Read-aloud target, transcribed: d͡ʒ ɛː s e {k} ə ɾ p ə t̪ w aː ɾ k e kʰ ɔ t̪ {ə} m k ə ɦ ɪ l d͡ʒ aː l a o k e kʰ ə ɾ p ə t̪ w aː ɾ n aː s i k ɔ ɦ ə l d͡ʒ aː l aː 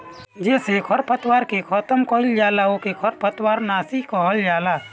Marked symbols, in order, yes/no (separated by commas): no, yes